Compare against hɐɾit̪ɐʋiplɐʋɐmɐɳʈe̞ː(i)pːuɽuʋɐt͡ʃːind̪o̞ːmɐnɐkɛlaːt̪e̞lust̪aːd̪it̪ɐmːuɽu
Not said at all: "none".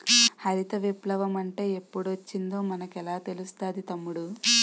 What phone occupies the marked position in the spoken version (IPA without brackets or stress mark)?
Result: e